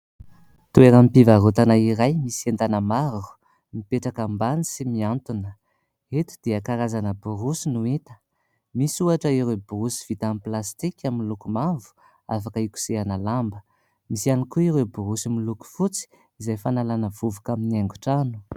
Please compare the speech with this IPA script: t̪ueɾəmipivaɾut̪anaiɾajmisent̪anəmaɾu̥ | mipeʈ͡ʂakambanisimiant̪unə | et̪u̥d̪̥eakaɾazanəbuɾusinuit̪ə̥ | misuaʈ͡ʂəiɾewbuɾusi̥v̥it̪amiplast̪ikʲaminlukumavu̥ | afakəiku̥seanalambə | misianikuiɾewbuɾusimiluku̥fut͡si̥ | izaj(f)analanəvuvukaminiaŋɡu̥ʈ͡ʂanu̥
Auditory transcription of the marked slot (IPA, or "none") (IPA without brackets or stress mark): f